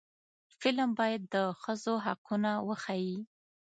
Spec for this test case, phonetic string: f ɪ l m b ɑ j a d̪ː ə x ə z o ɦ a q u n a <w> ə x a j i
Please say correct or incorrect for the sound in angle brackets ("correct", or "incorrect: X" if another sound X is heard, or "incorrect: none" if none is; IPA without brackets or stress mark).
correct